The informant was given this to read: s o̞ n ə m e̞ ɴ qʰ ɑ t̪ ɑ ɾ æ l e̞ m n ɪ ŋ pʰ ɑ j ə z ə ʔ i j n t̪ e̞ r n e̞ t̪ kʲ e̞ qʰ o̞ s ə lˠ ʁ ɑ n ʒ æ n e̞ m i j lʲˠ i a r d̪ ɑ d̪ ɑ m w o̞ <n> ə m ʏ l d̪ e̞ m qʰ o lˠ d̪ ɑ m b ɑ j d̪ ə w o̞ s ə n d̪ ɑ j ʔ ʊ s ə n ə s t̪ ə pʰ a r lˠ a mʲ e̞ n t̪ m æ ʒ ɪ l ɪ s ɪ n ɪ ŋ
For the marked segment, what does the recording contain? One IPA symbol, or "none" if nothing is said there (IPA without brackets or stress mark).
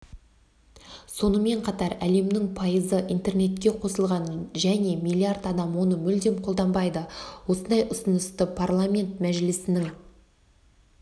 n